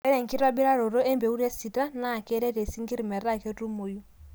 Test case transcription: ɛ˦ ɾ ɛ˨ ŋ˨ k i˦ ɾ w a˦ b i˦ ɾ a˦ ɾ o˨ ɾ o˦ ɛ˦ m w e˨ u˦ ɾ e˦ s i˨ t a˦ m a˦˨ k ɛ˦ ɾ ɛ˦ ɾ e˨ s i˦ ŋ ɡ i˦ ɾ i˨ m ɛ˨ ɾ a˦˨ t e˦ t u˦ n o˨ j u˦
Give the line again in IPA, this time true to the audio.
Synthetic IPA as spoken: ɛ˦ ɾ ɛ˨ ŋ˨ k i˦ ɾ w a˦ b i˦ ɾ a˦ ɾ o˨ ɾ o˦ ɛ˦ m b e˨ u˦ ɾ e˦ s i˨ t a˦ n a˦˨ k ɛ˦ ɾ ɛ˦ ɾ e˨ s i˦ ŋ ɡ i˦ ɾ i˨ m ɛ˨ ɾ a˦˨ k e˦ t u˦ m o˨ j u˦